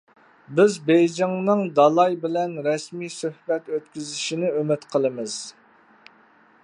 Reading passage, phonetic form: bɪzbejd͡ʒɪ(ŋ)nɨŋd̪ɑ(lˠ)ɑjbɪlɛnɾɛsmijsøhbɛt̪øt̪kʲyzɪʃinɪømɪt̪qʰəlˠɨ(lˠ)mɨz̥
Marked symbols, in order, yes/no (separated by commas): yes, yes, no